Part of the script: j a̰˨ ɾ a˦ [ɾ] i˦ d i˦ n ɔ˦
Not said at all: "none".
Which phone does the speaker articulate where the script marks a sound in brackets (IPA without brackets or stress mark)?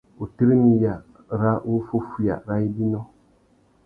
none